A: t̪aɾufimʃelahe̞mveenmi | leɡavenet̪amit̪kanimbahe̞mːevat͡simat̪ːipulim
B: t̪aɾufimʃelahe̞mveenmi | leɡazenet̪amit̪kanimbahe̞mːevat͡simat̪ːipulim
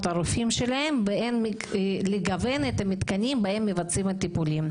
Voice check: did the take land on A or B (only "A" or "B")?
A